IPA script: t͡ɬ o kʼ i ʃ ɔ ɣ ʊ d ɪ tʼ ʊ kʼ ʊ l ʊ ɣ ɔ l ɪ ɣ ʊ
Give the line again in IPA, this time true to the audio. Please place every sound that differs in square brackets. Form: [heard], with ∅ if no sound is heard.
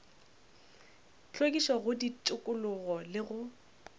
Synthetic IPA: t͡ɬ o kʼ i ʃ ɔ ɣ ʊ d [i] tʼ ʊ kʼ ʊ l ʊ ɣ ɔ l ɪ ɣ ʊ